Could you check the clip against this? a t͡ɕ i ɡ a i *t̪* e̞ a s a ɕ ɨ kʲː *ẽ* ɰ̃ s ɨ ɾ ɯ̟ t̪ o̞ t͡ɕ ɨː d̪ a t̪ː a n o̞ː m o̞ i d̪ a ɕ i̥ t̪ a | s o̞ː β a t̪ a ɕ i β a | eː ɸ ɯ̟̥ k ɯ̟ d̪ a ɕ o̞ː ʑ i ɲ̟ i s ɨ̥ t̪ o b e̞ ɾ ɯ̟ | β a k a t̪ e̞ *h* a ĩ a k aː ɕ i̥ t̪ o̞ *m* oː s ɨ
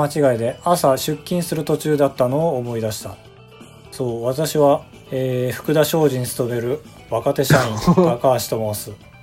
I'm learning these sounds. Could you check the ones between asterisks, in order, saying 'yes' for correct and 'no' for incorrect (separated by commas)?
no, no, no, yes